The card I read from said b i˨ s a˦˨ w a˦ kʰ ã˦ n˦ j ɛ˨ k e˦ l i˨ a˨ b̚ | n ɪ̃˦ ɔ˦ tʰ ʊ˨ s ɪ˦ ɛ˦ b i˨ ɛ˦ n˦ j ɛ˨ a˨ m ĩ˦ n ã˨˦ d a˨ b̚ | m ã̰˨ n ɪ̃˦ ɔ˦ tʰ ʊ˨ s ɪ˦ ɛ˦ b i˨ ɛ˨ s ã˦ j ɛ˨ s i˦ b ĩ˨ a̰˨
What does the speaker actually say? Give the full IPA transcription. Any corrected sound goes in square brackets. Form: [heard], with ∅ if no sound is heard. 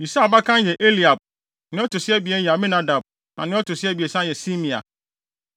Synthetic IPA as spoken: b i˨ s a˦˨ [b] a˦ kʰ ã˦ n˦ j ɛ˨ [ʔ] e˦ l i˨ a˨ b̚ | n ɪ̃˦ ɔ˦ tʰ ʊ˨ s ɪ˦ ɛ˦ b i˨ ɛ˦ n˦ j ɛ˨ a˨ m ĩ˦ n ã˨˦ d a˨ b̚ | [n] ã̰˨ n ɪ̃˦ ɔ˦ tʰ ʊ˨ s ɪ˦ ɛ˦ b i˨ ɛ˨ s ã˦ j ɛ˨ s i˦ [m] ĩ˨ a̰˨